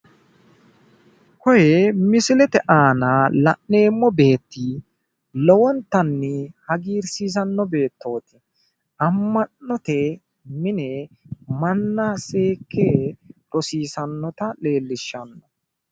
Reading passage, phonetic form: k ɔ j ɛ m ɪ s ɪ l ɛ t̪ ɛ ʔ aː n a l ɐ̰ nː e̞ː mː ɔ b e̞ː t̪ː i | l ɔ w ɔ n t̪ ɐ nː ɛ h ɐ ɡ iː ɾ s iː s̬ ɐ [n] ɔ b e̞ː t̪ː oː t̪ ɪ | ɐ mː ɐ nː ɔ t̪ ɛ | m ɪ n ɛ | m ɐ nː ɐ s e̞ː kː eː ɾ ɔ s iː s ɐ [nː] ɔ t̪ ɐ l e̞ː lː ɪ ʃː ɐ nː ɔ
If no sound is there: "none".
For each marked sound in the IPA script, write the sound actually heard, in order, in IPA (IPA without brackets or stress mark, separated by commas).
nː, nː